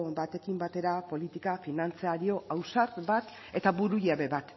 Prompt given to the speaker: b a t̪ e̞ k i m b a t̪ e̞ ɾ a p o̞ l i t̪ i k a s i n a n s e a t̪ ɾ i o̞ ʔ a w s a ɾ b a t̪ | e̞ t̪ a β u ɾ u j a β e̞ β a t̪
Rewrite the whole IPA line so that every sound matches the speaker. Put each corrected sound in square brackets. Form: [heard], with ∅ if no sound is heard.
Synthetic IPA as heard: b a t̪ e̞ k i m b a t̪ e̞ ɾ a p o̞ l i t̪ i k a [f] i n a n [t͡s] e a [∅] ɾ i o̞ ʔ a w s a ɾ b a t̪ | e̞ t̪ a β u ɾ u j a β e̞ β a t̪